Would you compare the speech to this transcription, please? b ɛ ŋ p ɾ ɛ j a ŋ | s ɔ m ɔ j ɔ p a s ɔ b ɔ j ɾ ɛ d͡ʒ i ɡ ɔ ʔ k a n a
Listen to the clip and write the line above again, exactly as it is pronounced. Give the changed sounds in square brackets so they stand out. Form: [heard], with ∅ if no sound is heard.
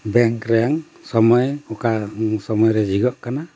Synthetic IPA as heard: b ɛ ŋ [k] ɾ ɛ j a ŋ | s ɔ m ɔ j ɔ [k] a s ɔ [m] ɔ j ɾ ɛ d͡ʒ i ɡ ɔ ʔ k a n a